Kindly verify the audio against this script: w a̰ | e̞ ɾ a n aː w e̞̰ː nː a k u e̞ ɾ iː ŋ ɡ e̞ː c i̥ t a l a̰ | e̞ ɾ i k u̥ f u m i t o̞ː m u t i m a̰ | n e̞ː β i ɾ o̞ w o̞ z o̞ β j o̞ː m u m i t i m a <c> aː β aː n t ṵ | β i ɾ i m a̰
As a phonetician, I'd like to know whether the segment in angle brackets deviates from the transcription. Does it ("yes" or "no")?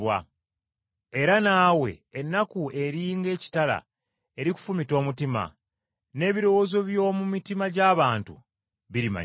yes